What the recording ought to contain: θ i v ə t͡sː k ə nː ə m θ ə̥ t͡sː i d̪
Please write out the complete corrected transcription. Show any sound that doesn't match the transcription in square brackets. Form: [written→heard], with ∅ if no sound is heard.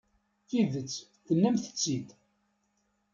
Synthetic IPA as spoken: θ i [v→ð] ə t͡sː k ə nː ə m θ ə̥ t͡sː i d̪

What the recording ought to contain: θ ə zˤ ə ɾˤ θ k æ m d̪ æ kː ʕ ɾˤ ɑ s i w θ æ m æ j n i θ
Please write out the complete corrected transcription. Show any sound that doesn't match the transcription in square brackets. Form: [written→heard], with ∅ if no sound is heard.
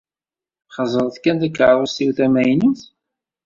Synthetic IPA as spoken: [θ→χ] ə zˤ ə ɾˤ θ k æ [m→n] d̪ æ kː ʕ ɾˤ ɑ s i w θ æ m æ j n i θ

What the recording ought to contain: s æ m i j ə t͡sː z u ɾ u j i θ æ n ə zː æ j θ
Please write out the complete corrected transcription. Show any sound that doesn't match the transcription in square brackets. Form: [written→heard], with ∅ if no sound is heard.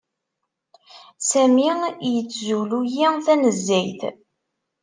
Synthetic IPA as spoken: s æ m i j ə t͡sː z u [ɾ→l] u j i θ æ n ə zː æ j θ

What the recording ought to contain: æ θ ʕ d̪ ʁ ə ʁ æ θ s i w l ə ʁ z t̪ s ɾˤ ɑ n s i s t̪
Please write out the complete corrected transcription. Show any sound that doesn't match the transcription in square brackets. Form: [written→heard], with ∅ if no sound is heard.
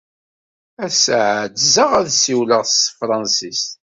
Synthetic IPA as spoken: æ [θ→s] ʕ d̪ [ʁ→z] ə ʁ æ [θ→ð] s i w l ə ʁ [z→s] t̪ [s→f] ɾˤ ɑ n s i s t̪

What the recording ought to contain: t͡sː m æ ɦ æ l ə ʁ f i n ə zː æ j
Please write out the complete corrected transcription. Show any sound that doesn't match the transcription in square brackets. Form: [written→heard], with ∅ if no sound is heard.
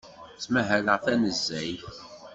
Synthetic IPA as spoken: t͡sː m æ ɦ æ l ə ʁ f [i→æ] n ə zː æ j

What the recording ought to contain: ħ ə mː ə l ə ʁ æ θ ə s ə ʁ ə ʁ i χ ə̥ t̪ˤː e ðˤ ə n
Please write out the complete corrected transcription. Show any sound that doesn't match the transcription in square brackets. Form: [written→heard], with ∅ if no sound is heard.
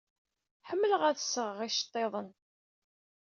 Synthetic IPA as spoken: ħ ə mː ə l ə ʁ æ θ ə s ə ʁ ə ʁ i [χ→ʃ] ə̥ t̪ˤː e ðˤ ə n

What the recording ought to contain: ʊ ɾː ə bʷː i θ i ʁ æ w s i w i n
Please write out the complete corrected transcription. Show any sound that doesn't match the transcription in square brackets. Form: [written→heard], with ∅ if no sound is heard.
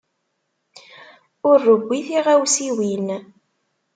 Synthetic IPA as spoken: ʊ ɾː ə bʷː i θ i ʁ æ w s i w i n

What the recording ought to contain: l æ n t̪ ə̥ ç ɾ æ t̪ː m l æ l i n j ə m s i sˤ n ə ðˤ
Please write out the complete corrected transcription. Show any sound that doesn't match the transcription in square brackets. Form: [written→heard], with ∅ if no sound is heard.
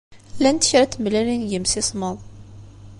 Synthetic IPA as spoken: l æ n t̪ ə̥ ç ɾ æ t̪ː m l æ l i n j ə m s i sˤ [n→m] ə ðˤ

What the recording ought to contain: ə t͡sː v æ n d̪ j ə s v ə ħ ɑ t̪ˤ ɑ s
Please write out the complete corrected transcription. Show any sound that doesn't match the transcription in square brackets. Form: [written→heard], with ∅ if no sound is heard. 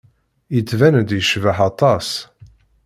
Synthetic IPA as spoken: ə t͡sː v æ n d̪ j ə [s→ʃ] v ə ħ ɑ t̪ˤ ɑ s

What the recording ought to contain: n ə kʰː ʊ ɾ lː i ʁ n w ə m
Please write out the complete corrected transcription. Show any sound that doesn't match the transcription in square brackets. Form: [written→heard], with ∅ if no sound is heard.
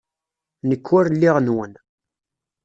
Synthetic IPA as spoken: n ə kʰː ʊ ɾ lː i ʁ n w ə [m→n]

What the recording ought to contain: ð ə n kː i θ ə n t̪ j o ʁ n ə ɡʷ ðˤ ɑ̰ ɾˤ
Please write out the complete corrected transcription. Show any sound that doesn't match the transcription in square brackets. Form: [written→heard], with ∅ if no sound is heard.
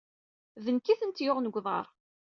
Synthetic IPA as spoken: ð ə n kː i θ ə n t̪ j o ʁ n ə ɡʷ ðˤ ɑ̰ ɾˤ

